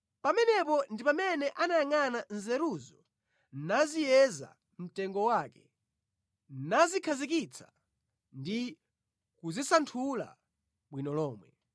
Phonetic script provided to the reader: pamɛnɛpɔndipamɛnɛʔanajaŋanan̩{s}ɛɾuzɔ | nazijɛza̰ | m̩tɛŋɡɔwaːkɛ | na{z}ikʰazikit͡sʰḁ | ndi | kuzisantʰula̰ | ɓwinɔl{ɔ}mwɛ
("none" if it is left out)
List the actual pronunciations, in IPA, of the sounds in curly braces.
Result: z, z, ɔː

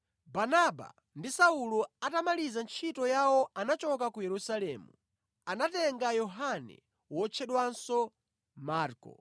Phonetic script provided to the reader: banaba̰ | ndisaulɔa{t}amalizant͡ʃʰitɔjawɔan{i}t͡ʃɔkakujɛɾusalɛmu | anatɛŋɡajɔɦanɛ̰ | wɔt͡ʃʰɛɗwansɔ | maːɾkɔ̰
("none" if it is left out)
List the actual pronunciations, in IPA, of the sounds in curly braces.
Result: t, a

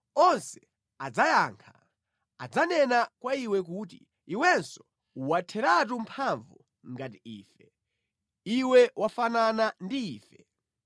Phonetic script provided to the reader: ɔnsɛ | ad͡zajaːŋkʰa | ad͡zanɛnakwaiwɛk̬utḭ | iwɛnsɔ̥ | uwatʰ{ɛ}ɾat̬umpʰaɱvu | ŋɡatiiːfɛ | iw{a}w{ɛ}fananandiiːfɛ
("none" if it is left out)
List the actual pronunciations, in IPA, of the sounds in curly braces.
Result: ɛ, ɛ, a

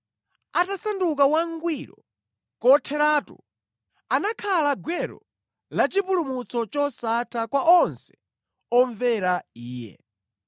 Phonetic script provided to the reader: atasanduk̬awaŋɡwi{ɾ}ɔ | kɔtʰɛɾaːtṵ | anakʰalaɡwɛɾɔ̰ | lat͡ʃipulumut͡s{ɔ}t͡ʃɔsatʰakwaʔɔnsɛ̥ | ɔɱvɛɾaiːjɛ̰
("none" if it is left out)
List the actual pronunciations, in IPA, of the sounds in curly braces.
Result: ɾ, ɔ

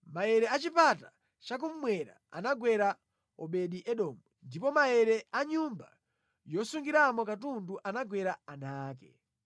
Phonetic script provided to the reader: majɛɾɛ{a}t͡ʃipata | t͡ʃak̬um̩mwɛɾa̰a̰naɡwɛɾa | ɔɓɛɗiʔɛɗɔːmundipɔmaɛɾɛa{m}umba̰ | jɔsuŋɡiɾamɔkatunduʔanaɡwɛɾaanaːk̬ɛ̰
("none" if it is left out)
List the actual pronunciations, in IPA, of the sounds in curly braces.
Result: a, ɲ

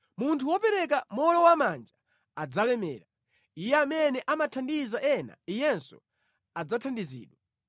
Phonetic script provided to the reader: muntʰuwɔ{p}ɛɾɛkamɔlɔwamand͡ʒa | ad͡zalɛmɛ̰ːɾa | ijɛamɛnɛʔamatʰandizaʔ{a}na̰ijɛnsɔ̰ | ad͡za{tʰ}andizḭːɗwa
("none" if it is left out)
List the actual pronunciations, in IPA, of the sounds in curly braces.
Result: p, ɛ, tʰ

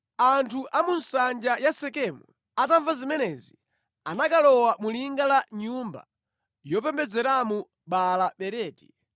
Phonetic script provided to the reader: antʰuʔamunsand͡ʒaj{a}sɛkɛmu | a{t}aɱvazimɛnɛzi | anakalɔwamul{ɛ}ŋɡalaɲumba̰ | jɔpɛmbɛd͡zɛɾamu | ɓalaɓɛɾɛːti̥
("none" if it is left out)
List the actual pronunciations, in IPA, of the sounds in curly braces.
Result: a, t, i

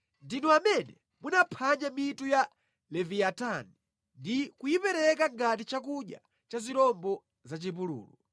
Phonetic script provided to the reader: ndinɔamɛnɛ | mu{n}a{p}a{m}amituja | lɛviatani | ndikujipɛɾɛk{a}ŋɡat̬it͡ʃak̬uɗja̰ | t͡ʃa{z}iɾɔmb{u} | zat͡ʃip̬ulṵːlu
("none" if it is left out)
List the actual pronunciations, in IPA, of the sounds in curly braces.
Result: n, pʰ, ɲ, a, z, ɔ

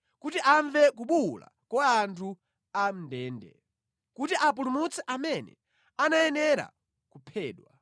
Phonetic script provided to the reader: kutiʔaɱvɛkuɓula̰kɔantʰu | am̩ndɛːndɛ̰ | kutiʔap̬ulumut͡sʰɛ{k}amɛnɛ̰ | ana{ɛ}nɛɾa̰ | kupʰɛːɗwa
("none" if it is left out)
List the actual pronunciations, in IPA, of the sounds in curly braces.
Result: ʔ, ɛ

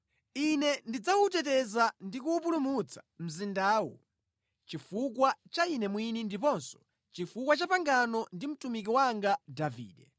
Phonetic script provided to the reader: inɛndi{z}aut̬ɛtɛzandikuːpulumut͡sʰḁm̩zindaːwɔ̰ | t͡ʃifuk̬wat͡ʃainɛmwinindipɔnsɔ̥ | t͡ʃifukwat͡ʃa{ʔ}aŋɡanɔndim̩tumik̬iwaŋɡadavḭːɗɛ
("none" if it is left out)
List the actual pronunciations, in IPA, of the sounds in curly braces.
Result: d͡z, p

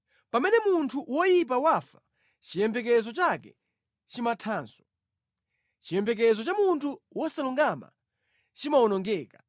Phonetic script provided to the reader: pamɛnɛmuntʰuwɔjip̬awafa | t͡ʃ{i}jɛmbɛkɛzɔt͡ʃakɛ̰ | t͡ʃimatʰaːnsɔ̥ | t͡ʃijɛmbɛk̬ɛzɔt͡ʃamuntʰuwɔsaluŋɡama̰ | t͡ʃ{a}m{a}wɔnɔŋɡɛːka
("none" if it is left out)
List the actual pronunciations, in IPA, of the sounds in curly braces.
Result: i, i, a

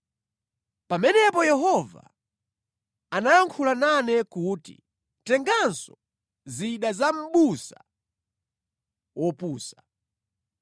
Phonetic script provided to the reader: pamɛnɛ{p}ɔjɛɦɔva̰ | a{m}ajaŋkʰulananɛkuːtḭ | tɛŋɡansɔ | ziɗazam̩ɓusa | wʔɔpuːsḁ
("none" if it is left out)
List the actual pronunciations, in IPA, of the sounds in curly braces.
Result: p, n

